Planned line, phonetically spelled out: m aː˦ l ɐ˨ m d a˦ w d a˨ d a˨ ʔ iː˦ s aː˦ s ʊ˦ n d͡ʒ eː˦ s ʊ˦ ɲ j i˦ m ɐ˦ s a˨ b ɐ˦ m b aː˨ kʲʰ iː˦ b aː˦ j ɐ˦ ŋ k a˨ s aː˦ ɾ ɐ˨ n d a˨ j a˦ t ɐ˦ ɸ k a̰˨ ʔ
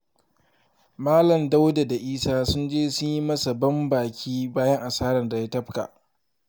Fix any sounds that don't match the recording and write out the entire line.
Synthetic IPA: m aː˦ l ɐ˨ m d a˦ w d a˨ d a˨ ʔ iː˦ s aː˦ s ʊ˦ n d͡ʒ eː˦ s ʊ˦ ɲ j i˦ m ɐ˦ s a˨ b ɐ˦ m b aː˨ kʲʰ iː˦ b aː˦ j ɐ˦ ŋ ʔ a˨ s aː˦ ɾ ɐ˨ n d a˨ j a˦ t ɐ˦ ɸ k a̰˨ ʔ